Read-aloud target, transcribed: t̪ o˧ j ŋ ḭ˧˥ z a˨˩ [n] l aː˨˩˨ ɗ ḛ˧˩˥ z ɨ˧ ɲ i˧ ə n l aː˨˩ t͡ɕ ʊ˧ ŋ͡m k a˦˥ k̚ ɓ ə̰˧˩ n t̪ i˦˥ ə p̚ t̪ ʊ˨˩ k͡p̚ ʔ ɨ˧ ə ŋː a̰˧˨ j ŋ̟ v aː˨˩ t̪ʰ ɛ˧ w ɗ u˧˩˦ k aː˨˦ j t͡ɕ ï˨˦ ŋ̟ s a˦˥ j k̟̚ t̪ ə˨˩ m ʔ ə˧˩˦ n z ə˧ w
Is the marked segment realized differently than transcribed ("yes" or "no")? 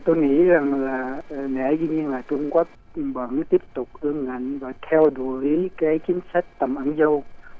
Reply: yes